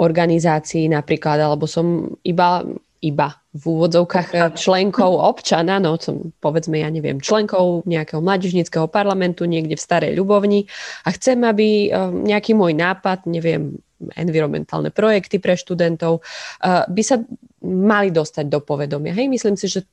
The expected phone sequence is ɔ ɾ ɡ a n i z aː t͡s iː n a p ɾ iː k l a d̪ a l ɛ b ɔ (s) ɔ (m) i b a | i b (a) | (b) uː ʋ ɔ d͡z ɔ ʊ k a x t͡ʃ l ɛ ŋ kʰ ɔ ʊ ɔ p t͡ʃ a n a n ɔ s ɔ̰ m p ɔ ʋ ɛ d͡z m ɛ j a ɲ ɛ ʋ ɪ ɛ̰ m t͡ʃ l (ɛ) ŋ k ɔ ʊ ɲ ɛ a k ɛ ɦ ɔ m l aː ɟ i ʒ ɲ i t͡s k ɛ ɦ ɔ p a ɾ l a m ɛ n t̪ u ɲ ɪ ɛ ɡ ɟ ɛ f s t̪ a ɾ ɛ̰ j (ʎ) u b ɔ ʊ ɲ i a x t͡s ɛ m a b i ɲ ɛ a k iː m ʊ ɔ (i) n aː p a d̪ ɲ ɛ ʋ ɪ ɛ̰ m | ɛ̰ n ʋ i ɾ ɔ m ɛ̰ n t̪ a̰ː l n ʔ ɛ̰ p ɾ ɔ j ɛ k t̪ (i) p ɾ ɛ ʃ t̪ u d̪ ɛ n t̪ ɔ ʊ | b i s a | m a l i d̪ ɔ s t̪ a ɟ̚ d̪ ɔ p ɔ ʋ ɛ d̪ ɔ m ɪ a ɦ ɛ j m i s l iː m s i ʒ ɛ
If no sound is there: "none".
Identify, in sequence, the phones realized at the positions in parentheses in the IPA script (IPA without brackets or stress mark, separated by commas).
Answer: s, m, a, v, ɛ, ʎ, j, i